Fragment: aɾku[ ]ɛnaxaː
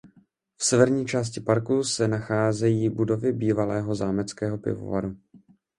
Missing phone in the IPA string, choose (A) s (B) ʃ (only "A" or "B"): A